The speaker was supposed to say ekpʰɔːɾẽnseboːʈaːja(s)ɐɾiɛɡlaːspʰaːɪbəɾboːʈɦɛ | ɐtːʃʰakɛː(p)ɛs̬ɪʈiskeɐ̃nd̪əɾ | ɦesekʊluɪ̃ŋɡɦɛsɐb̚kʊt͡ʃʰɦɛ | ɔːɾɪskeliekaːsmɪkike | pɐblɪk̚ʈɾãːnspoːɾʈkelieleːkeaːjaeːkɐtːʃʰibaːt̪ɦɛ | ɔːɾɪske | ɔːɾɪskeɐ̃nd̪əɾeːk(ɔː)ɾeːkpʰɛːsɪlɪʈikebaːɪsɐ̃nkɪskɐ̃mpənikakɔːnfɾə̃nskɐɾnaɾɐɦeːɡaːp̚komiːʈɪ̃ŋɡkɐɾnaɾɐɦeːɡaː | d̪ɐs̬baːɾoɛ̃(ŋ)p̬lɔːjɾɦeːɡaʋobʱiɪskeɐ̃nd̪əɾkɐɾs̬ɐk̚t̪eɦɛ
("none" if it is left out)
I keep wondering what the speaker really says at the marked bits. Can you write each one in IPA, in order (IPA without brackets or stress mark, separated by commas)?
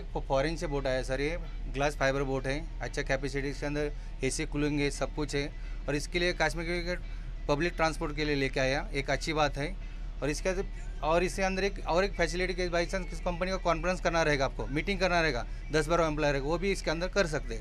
s, p, ɔː, m